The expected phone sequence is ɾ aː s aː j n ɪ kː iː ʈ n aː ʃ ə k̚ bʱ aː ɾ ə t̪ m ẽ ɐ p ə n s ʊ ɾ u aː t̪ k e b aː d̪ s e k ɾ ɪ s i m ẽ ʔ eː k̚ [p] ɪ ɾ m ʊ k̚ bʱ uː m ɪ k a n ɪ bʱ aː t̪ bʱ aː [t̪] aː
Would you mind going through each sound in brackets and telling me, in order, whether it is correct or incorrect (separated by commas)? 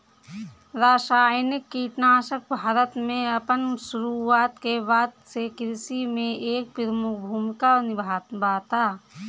correct, correct